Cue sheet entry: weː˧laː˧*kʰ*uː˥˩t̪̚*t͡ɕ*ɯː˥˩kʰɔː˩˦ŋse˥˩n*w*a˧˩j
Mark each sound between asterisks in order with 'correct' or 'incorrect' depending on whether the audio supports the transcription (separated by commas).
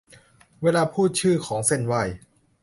incorrect, incorrect, correct